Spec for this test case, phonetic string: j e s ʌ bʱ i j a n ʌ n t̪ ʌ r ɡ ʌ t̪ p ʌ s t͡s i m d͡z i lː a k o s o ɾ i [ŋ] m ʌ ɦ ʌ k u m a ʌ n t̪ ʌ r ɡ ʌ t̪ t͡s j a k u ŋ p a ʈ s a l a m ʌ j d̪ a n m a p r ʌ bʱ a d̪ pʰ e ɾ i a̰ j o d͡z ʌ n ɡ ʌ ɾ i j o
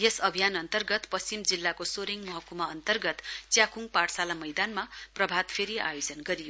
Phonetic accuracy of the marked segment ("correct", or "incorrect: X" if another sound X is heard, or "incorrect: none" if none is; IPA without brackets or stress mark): correct